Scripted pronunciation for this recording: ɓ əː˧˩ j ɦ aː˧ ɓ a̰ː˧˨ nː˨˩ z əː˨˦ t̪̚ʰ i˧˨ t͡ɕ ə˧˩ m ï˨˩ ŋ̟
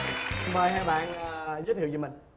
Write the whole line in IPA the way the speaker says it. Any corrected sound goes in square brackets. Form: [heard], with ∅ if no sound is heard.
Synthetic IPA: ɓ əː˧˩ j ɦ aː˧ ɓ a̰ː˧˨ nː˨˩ z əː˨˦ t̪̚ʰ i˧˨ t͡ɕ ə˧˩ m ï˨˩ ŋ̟